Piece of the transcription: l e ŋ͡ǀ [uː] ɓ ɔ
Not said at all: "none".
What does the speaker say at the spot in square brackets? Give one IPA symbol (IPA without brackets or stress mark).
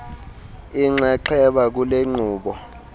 uː